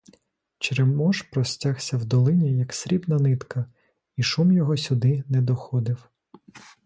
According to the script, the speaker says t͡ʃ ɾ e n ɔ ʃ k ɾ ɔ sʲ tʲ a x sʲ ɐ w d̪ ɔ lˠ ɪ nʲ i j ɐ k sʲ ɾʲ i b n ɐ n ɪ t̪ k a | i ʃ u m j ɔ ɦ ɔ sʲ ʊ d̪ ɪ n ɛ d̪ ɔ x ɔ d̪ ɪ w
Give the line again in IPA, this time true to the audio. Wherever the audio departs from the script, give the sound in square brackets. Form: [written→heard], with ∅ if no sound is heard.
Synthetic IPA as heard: t͡ʃ ɾ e [n→m] ɔ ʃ [k→p] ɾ ɔ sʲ tʲ a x sʲ ɐ w d̪ ɔ lˠ ɪ nʲ i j ɐ k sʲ ɾʲ i b n ɐ n ɪ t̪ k [a→ɐ] | i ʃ u m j ɔ ɦ ɔ sʲ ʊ d̪ ɪ n ɛ d̪ ɔ x ɔ d̪ ɪ w

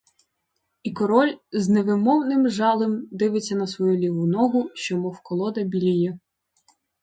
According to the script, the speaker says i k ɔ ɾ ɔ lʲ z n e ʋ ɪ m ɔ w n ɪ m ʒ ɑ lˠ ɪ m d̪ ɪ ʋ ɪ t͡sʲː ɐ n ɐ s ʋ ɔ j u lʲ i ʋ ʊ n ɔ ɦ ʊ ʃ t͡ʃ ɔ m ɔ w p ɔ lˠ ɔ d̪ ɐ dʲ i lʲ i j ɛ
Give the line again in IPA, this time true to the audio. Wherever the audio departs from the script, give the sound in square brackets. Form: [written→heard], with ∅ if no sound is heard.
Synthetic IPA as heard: i k ɔ ɾ ɔ lʲ z n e ʋ ɪ m ɔ w n ɪ m ʒ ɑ lˠ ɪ m d̪ ɪ ʋ ɪ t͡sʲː ɐ n ɐ s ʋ ɔ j u lʲ i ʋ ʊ n ɔ ɦ ʊ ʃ t͡ʃ ɔ m ɔ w [p→k] ɔ lˠ ɔ d̪ ɐ [dʲ→bʲ] i lʲ i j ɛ

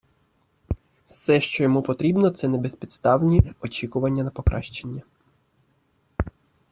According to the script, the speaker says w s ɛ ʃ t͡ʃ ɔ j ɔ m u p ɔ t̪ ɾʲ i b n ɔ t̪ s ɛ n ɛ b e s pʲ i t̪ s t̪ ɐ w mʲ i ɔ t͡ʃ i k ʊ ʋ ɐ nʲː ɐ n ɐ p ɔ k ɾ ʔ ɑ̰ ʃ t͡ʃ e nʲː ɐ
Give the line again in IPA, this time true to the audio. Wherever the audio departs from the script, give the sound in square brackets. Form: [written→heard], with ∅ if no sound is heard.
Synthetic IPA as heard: w s ɛ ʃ t͡ʃ ɔ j ɔ m u p ɔ t̪ ɾʲ i b n ɔ t̪ s ɛ n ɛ b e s pʲ i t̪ s t̪ [ɐ→ɑ] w [mʲ→nʲ] i ɔ t͡ʃ i k ʊ ʋ ɐ nʲː ɐ n ɐ p ɔ k ɾ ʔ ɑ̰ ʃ t͡ʃ e nʲː ɐ

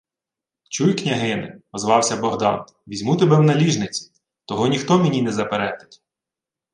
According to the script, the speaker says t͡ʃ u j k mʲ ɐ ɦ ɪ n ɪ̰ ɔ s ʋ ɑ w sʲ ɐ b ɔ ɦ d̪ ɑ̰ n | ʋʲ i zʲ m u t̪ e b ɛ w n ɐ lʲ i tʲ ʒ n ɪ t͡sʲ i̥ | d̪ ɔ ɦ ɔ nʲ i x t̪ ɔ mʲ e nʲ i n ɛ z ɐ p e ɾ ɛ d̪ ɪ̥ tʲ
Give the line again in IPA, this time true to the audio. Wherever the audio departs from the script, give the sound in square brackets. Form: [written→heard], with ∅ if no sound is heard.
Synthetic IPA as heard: t͡ʃ u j k [mʲ→nʲ] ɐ ɦ ɪ n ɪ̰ ɔ [s→z] ʋ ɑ w sʲ ɐ b ɔ ɦ d̪ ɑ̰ n | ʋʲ i zʲ m u t̪ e b ɛ w n ɐ lʲ i [tʲ→∅] ʒ n ɪ t͡sʲ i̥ | [d̪→t̪] ɔ ɦ ɔ nʲ i x t̪ ɔ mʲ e nʲ i n ɛ z ɐ p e ɾ ɛ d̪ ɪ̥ tʲ

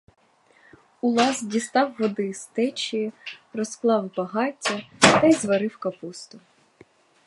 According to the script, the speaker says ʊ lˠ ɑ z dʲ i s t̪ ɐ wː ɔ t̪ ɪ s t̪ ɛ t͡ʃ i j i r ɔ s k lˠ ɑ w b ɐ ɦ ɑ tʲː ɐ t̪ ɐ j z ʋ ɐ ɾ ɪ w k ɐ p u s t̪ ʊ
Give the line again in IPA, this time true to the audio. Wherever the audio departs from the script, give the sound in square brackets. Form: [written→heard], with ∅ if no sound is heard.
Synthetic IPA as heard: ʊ lˠ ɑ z dʲ i s t̪ [ɐ→ɑ] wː ɔ [t̪→d̪] ɪ s t̪ ɛ t͡ʃ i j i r ɔ s k lˠ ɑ w b ɐ ɦ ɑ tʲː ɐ t̪ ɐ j z ʋ ɐ ɾ ɪ w k ɐ p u s t̪ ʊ

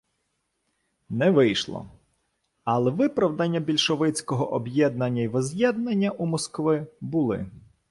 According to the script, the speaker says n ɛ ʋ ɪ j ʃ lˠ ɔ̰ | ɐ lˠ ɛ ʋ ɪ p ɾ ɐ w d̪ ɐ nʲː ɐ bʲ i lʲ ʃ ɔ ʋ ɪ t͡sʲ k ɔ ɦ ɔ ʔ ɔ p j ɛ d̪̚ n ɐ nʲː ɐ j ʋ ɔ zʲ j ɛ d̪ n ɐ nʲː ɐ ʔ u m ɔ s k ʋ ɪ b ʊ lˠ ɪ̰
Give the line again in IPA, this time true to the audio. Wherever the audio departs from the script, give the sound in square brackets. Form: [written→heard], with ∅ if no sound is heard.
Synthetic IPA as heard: n ɛ ʋ ɪ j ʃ lˠ ɔ̰ | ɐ lˠ ɛ ʋ ɪ p ɾ ɐ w d̪ ɐ nʲː ɐ bʲ i lʲ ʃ ɔ ʋ ɪ t͡sʲ k ɔ ɦ ɔ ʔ ɔ [p→b] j ɛ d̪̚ n ɐ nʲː ɐ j ʋ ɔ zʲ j ɛ d̪ n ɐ nʲː ɐ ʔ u m ɔ s k ʋ ɪ b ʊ lˠ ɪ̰

